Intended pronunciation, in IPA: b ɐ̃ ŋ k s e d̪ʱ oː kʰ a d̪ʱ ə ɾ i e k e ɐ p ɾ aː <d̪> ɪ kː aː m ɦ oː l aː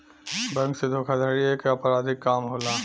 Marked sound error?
no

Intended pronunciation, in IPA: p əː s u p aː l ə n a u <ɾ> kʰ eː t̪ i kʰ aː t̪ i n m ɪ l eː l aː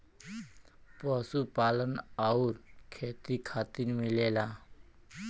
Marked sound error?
no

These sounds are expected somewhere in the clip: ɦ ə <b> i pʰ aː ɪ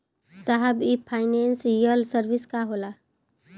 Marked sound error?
no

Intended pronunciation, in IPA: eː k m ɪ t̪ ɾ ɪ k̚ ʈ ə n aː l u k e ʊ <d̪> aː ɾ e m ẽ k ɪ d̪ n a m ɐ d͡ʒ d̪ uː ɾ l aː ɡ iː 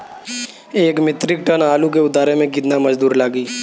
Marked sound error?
no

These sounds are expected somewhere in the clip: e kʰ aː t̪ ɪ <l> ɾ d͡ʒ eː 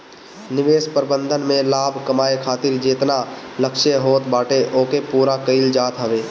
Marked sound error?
yes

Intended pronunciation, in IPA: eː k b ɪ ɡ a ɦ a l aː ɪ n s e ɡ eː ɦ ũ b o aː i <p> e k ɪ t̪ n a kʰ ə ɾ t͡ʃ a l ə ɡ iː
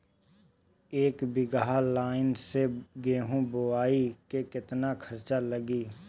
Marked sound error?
yes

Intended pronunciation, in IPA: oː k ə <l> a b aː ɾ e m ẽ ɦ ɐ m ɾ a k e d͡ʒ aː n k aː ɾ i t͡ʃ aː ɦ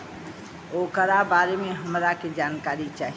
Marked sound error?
yes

